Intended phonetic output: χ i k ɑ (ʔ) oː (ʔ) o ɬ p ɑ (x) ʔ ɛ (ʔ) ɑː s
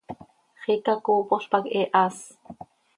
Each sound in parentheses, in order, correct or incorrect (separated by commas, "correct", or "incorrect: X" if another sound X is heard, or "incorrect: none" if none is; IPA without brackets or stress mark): incorrect: k, incorrect: p, incorrect: k, correct